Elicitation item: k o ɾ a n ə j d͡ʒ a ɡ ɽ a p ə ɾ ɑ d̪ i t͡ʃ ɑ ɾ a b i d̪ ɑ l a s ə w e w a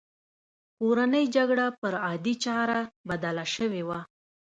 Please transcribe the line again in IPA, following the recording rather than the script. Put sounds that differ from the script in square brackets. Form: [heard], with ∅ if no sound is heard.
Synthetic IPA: k o ɾ a n ə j d͡ʒ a ɡ ɽ a p ə ɾ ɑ d̪ i t͡ʃ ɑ ɾ a b [a] d̪ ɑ l a [ʃ] ə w e w a